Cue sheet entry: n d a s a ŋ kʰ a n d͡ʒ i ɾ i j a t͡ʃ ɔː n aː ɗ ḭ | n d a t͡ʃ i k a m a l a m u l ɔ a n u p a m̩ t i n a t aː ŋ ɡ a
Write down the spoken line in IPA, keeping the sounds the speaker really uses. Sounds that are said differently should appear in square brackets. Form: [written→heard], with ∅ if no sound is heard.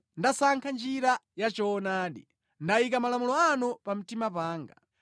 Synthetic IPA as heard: n d a s a ŋ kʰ a n d͡ʒ i ɾ [i→a] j a t͡ʃ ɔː n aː ɗ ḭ | n d a [t͡ʃ→∅] i k a m a l a m u l ɔ a n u p a m̩ t i [n→m] a [t→p] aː ŋ ɡ a